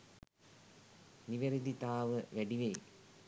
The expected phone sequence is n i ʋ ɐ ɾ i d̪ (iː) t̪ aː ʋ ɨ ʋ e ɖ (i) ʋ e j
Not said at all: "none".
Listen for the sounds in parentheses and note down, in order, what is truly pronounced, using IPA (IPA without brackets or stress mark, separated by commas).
i, i